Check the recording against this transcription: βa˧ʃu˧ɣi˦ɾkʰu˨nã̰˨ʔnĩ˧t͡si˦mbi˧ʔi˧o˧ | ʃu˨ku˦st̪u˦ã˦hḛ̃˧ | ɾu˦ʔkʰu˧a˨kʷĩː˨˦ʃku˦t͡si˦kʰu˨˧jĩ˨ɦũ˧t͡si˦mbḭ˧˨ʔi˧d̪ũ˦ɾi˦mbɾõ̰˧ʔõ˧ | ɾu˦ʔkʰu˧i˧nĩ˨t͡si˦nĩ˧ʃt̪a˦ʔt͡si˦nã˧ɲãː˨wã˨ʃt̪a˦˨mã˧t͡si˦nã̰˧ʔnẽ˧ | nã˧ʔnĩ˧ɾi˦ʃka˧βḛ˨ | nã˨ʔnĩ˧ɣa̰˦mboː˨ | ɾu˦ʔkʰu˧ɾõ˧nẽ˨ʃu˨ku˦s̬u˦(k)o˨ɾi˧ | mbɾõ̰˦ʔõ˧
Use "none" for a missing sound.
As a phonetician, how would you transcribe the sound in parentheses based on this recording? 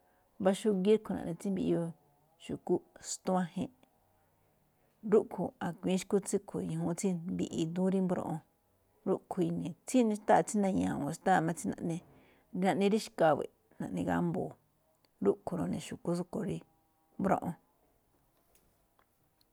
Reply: k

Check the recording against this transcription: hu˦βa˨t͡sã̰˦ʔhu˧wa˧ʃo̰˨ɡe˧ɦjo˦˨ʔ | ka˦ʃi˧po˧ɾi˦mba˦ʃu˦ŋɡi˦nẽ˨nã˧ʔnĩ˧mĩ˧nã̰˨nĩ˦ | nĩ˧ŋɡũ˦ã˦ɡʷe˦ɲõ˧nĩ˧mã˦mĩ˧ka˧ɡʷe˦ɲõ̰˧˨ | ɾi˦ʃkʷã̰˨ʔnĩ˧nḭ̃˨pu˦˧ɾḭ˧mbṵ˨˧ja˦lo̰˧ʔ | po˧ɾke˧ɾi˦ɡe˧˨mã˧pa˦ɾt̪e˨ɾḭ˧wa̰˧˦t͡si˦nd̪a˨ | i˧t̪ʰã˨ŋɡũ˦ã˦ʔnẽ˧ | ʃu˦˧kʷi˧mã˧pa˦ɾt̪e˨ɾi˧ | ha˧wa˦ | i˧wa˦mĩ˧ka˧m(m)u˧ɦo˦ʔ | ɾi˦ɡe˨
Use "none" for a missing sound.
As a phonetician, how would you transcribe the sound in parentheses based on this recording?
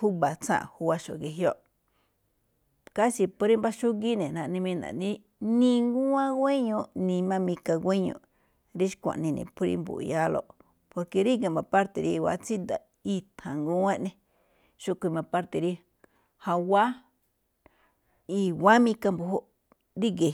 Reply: b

